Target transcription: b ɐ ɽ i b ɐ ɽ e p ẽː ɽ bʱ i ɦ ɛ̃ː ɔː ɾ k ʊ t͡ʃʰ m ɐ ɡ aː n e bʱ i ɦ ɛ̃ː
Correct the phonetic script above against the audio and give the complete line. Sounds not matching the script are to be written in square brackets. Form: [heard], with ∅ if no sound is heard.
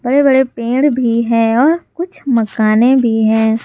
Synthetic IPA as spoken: b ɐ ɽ [e] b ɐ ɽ e p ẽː ɽ bʱ i ɦ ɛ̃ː ɔː ɾ k ʊ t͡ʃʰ m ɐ [k] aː n e bʱ i ɦ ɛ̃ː

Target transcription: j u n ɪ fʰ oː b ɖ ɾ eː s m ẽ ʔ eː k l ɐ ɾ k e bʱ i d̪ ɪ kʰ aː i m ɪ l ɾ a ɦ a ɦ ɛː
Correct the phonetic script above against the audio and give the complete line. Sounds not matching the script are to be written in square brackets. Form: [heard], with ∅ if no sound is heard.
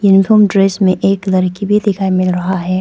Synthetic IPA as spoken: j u n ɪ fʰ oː [m] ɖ ɾ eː s m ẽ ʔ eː k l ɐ ɾ k [i] bʱ i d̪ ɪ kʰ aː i m ɪ l ɾ [ɐ] ɦ a ɦ ɛː

